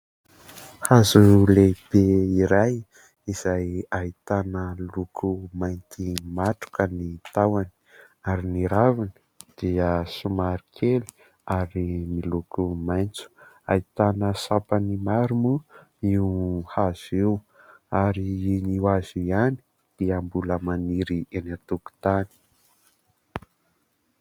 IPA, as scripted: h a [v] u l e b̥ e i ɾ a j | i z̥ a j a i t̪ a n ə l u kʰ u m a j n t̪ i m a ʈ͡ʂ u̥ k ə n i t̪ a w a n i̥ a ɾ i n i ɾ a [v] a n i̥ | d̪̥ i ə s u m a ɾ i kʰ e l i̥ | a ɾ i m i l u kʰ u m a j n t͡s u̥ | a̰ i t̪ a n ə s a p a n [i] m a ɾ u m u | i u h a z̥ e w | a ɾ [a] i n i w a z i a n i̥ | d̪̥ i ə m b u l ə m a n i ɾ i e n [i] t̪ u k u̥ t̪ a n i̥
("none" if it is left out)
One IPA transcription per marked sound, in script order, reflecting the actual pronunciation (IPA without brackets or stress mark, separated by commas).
z, v, i, i, a